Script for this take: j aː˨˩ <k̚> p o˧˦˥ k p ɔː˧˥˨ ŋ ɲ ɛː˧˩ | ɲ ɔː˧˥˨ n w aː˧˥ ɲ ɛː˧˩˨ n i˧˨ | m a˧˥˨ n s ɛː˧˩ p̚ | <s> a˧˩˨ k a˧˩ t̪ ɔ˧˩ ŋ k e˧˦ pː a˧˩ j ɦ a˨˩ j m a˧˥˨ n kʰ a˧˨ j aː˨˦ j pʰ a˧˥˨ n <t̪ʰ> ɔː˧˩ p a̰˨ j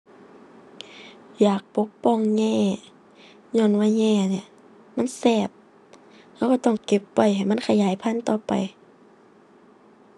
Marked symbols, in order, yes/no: yes, no, no

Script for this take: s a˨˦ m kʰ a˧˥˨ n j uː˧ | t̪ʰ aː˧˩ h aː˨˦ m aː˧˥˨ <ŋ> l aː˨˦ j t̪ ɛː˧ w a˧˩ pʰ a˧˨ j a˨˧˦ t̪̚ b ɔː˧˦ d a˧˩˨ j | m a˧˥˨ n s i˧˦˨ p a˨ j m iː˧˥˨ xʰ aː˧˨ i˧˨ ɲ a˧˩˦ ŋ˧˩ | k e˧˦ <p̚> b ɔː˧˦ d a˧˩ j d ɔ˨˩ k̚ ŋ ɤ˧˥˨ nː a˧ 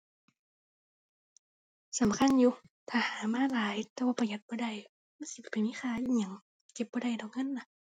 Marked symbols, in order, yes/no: no, yes

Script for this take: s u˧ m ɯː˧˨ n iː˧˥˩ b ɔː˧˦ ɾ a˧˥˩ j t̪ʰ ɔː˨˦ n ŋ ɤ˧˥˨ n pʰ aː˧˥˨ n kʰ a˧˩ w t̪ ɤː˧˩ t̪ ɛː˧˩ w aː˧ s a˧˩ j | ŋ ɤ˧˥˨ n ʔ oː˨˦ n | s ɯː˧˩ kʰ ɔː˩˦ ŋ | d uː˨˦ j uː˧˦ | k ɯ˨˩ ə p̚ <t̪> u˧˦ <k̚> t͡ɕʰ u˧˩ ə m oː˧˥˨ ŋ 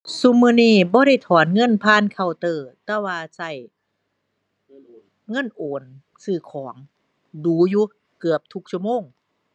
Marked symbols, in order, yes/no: no, yes

